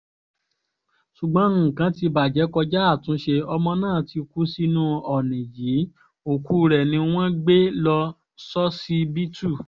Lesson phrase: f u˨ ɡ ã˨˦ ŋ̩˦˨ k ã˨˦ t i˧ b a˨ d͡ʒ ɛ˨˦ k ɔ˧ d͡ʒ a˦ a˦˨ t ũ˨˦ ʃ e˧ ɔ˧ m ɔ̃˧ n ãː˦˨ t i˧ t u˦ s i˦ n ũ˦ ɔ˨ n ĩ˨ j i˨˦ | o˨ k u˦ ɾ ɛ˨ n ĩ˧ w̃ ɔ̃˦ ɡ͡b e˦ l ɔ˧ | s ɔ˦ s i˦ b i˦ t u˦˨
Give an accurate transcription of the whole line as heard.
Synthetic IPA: ʃ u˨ ɡ͡b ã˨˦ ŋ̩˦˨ k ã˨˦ t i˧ b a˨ d͡ʒ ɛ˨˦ k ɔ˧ d͡ʒ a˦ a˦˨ t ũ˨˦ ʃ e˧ ɔ˧ m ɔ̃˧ n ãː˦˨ t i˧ k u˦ s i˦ n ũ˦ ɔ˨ n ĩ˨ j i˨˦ | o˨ k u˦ ɾ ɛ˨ n ĩ˧ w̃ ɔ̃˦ ɡ͡b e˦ l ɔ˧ | s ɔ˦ s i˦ b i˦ t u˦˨